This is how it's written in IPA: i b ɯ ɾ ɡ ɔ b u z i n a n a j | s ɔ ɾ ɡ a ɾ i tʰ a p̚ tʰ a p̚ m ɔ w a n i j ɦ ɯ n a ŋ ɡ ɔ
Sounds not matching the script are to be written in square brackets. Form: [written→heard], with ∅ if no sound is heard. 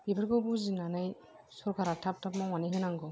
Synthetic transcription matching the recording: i b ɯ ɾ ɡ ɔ b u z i n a n a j | s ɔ ɾ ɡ a ɾ [i→a] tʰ a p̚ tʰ a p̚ m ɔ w a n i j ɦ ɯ n a ŋ ɡ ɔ